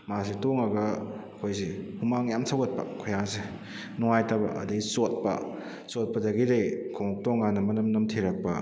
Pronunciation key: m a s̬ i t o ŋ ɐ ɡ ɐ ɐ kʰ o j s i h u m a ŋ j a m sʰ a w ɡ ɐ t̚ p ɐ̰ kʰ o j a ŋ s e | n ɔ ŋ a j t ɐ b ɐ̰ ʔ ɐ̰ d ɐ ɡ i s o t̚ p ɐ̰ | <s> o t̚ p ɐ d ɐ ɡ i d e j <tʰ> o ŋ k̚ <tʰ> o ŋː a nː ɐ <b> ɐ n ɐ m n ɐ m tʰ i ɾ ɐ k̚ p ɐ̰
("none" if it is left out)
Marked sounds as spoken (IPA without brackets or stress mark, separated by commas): s, kʰ, t, m